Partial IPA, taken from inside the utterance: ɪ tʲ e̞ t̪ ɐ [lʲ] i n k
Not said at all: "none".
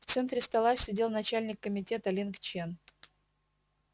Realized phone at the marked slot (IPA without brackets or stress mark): lʲ